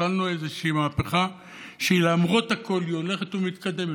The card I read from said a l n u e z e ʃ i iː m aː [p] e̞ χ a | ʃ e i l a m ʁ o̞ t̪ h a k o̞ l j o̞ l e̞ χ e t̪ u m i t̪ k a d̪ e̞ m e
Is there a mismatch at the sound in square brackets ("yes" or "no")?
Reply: no